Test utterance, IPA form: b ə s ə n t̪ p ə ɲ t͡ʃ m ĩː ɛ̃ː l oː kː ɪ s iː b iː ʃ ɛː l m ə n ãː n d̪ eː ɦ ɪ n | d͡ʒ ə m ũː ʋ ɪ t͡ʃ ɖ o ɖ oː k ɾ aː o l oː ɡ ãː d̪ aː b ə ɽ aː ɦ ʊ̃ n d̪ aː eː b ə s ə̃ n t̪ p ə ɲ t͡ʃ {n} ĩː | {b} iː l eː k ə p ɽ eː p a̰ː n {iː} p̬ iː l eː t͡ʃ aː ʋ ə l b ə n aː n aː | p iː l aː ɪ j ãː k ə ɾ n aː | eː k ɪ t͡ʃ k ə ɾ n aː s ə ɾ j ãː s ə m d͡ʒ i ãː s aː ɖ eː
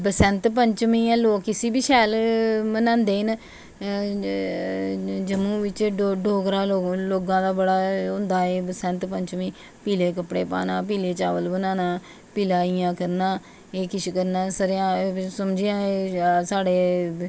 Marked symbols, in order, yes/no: no, no, no

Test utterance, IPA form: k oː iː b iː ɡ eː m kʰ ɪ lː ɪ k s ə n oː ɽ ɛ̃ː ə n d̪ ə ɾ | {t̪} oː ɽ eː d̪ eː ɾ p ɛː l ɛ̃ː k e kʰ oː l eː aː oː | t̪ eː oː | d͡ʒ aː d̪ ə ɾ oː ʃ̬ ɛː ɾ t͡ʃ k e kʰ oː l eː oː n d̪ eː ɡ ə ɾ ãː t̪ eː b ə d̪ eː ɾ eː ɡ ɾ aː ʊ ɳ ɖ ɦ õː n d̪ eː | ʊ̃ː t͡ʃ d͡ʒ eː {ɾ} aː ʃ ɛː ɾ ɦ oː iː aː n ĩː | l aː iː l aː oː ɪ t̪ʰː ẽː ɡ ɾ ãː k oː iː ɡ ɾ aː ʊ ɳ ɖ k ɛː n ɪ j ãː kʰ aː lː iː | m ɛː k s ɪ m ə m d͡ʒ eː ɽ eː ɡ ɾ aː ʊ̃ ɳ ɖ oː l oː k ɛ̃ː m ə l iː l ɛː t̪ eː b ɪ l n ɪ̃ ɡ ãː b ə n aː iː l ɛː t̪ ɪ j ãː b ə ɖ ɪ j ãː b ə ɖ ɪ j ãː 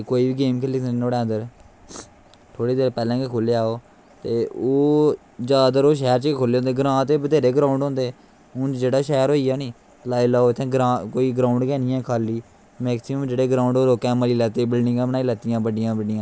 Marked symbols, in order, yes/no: no, no

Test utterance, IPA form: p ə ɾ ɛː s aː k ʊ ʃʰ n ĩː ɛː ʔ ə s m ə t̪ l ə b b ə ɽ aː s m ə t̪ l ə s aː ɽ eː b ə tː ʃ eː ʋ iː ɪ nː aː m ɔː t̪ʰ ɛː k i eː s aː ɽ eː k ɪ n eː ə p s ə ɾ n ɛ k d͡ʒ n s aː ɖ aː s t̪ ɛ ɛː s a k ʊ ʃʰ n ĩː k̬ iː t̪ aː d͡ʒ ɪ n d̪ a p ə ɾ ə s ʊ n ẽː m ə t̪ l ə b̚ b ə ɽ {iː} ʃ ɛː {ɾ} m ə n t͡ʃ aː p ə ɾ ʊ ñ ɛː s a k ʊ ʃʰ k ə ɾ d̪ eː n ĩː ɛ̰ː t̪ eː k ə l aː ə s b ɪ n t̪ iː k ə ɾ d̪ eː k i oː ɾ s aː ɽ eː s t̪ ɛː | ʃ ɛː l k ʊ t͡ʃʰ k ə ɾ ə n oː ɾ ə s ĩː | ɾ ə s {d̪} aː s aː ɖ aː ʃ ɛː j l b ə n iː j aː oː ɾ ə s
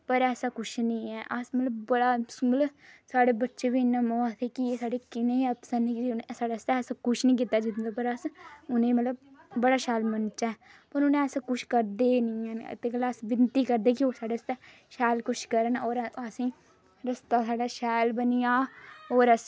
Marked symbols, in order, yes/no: no, no, no

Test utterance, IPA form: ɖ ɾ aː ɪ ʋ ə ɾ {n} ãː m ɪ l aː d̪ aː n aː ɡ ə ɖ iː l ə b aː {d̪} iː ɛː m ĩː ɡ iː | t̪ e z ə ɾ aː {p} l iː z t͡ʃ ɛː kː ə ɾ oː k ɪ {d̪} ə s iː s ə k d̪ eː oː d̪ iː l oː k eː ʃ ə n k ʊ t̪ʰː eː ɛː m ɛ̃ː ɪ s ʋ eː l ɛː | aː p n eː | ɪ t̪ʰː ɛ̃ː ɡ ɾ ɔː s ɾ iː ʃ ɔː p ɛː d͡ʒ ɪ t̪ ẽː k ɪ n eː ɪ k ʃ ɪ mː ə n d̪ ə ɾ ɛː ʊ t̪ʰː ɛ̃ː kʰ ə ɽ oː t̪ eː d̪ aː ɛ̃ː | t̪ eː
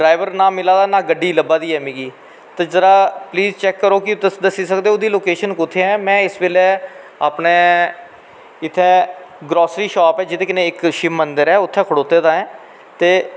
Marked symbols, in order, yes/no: yes, yes, yes, yes

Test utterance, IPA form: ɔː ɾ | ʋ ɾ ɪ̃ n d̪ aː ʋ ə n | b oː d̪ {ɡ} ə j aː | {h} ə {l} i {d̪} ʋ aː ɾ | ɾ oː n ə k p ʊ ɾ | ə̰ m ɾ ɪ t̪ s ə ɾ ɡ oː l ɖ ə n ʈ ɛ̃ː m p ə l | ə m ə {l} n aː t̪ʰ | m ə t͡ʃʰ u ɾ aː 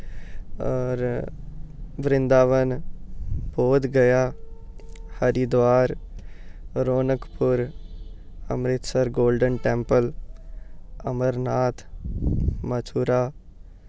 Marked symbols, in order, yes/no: yes, yes, no, yes, no

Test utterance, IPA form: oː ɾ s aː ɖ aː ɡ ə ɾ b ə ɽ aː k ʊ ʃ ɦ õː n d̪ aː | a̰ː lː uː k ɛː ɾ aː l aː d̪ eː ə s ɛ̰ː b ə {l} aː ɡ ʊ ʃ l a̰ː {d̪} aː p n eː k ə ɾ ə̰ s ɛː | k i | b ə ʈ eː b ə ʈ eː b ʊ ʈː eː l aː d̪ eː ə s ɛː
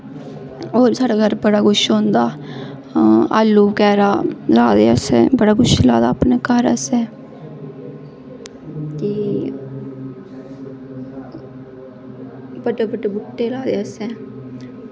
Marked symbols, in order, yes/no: no, yes

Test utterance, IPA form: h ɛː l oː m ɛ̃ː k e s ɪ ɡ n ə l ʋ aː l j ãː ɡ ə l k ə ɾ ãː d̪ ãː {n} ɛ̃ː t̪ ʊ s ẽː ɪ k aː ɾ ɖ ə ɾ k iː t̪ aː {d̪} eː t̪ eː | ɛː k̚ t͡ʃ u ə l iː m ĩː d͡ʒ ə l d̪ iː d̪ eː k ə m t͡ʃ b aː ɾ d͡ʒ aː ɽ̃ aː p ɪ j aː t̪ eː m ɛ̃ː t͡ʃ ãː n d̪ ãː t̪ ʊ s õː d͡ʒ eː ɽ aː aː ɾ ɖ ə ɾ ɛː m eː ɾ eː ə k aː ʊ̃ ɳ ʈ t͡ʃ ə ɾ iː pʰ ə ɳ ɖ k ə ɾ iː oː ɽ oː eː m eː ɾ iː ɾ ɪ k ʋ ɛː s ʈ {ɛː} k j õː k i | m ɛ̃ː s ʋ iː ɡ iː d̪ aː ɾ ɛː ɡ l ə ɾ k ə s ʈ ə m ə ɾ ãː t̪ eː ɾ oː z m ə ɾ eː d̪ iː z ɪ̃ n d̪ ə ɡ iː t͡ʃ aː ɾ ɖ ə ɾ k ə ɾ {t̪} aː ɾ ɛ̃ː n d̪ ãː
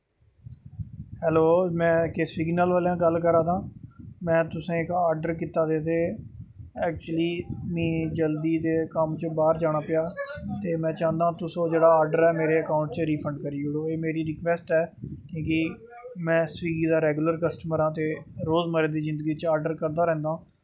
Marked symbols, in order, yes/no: no, yes, yes, no

